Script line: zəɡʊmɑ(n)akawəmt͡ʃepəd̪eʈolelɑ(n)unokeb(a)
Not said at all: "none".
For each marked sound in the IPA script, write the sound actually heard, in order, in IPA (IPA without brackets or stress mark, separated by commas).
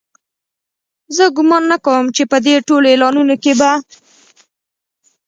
nː, n, a